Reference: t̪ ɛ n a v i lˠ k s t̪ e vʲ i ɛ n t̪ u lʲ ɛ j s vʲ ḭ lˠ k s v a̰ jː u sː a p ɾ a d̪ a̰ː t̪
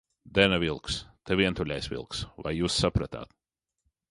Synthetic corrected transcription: d̪ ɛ n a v i lˠ k s t̪ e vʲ i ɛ n t̪ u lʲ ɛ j s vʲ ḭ lˠ k s v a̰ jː uː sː a p ɾ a t̪ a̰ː t̪